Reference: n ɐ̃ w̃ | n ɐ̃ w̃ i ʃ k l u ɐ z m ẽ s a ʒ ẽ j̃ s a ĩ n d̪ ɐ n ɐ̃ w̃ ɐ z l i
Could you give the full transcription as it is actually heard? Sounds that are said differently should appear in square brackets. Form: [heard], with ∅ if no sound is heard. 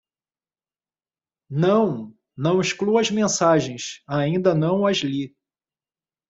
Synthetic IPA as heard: n ɐ̃ w̃ | n ɐ̃ w̃ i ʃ k l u ɐ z m ẽ s a ʒ ẽ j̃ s a ĩ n d̪ ɐ n ɐ̃ w̃ ɐ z l i